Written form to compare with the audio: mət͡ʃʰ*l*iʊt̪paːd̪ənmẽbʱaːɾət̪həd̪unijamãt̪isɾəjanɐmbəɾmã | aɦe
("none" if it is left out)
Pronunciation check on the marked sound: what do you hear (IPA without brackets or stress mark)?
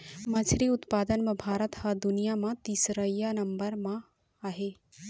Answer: ɾ